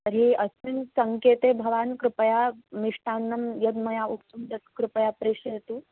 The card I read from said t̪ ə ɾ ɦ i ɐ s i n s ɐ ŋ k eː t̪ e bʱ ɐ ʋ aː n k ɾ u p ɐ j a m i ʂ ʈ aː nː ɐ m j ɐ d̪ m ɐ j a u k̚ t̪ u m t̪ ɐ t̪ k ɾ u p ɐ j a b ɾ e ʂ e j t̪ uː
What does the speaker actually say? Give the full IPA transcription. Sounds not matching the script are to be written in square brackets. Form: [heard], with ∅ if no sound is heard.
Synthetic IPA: t̪ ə ɾ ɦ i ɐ s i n s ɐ ŋ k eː t̪ e bʱ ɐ ʋ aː n k ɾ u p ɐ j a m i ʂ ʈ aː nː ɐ m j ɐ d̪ m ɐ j a u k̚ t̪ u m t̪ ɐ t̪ k ɾ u p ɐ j a [p] ɾ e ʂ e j t̪ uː